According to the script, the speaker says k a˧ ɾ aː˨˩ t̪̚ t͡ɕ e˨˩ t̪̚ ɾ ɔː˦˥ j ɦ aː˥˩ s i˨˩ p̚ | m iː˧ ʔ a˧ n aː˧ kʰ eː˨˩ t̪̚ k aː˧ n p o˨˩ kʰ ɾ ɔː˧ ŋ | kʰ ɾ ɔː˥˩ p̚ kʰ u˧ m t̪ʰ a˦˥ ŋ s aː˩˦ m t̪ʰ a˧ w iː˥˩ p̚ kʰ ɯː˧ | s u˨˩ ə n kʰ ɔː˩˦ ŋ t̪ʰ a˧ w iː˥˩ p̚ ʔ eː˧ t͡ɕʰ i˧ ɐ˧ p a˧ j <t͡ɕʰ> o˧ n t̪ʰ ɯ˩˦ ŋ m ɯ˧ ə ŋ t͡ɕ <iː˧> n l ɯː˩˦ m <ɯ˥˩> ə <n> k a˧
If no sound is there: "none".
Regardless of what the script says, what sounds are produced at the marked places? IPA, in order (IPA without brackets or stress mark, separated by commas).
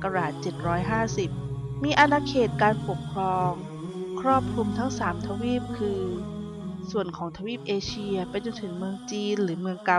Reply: t͡ɕ, iː˧, ɯ˧, ŋ